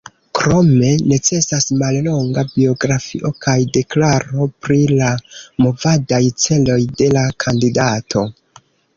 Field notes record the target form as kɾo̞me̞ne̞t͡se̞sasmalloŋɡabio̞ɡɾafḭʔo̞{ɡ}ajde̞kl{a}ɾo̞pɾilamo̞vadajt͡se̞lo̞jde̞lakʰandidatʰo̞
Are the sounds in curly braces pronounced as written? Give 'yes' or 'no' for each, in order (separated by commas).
no, yes